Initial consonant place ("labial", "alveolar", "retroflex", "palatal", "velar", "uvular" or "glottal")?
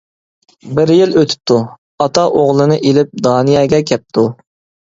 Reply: labial